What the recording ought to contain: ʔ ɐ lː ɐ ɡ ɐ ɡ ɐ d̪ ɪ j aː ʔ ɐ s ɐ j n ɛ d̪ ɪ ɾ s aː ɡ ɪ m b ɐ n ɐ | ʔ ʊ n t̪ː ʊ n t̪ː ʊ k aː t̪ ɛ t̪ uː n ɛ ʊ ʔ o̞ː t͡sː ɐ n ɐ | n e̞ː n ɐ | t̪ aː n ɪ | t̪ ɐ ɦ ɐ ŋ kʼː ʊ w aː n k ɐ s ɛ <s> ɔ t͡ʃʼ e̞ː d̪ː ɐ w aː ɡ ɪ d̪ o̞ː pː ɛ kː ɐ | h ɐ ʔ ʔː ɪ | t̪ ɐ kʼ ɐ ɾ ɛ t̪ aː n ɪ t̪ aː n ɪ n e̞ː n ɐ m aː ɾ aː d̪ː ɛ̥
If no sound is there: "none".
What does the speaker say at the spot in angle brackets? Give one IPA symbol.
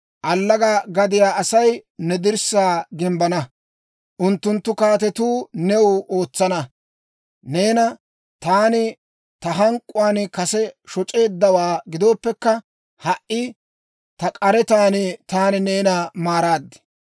ʃ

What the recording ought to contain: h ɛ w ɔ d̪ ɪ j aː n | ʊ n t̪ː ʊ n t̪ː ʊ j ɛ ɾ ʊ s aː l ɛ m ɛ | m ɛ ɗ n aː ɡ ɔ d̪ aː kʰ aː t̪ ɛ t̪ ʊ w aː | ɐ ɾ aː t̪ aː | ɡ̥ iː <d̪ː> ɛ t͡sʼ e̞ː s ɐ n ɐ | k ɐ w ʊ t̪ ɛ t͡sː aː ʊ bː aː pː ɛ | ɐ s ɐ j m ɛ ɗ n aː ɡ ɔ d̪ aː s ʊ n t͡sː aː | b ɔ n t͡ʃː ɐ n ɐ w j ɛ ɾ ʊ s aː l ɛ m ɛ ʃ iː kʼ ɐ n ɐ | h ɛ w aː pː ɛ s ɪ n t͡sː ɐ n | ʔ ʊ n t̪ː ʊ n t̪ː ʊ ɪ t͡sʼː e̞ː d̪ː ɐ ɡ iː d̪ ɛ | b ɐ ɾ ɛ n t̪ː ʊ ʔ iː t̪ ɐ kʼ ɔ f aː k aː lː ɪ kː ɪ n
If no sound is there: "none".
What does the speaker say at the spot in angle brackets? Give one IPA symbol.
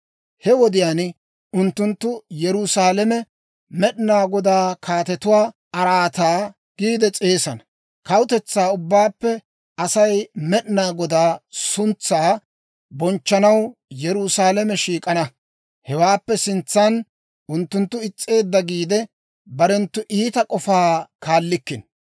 d̪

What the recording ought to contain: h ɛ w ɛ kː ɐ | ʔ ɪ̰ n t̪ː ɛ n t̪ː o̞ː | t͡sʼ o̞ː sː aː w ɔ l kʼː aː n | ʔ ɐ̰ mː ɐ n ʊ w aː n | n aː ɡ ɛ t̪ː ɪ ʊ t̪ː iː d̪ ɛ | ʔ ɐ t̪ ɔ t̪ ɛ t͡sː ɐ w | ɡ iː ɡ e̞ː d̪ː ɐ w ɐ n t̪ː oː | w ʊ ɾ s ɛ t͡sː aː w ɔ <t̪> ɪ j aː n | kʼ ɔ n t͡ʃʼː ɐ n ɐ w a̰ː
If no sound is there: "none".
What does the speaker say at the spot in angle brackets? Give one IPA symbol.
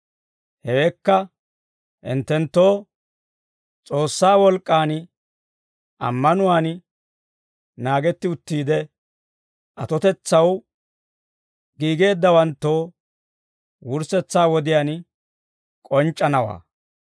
d̪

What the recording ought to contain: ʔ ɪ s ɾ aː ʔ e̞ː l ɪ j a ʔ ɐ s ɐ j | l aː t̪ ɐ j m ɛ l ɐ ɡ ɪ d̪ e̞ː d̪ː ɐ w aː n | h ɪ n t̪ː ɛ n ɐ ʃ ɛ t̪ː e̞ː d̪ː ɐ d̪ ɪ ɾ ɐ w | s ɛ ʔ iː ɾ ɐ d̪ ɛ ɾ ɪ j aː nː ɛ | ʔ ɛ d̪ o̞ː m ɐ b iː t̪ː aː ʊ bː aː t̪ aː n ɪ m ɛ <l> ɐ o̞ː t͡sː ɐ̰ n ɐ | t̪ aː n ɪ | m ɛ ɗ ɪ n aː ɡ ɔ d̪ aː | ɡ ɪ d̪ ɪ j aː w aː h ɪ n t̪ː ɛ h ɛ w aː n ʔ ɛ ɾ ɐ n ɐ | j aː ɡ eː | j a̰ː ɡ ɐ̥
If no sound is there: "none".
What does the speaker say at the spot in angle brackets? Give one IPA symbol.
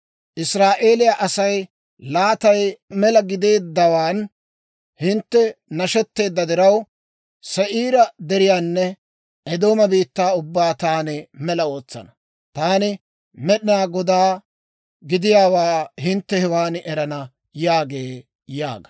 l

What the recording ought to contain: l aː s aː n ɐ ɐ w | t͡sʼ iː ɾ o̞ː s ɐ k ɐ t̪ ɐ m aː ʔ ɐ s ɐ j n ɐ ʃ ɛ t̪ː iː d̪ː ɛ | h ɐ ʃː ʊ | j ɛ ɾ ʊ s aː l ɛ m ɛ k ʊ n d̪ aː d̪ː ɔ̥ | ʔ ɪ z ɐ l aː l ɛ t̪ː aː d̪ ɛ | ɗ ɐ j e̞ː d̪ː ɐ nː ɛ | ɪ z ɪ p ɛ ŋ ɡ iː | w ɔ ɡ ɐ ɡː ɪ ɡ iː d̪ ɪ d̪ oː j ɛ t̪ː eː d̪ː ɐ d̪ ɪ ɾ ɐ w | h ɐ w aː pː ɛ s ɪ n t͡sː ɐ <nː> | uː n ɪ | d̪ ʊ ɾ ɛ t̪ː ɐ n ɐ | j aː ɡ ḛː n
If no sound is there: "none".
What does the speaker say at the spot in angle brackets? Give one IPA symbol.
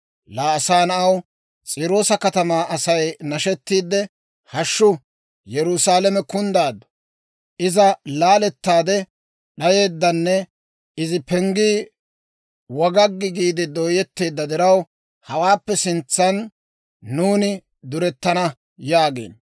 nː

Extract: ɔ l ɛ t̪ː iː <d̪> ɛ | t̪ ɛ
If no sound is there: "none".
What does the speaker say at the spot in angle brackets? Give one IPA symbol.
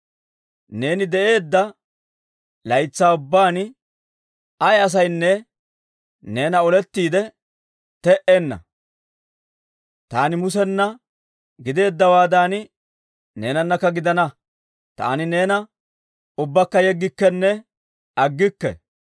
d̪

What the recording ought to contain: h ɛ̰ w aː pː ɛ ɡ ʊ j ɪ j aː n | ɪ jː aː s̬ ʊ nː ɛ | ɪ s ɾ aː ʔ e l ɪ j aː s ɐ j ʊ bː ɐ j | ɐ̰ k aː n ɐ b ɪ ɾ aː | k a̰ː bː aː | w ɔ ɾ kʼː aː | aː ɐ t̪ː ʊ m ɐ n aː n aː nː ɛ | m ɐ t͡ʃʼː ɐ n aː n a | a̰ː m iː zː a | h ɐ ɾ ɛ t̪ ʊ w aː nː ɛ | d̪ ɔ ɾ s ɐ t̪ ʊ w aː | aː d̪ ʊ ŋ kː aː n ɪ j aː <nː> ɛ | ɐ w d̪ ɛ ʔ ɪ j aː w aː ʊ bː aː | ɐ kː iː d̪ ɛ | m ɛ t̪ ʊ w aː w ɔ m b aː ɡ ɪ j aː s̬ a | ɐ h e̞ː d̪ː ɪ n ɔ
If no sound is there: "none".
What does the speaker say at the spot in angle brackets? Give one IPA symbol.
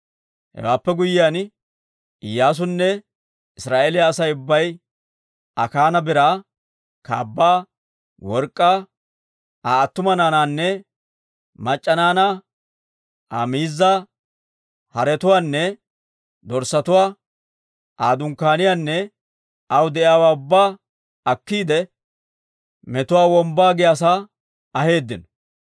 nː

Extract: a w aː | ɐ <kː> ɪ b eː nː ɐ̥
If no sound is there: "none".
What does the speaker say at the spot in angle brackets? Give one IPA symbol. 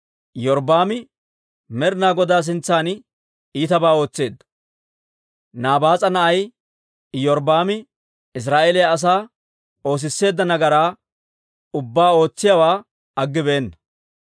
ɡː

